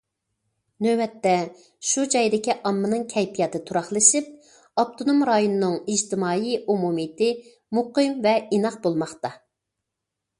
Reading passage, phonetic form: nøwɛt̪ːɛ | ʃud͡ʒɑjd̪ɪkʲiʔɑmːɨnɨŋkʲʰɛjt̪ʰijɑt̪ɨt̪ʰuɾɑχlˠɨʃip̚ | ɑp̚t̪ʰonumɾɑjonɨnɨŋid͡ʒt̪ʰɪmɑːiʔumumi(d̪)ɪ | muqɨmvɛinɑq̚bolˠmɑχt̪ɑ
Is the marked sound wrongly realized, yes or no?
yes